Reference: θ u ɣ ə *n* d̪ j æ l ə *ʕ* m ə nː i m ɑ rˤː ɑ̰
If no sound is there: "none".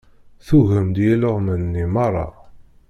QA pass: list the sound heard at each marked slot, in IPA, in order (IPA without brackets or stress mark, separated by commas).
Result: m, ʁ